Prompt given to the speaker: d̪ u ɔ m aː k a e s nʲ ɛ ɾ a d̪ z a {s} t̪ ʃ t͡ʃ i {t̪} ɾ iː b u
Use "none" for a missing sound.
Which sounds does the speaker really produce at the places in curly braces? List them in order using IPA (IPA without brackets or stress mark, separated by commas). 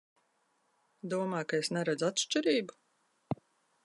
none, none